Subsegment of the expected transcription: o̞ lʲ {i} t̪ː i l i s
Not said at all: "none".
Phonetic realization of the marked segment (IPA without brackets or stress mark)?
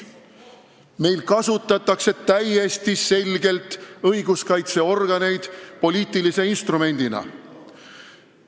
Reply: iː